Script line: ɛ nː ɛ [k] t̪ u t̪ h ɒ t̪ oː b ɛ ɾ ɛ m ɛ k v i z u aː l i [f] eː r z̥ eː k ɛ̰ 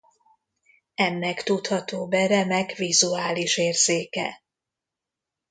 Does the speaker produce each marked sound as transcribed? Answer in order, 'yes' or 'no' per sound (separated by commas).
yes, no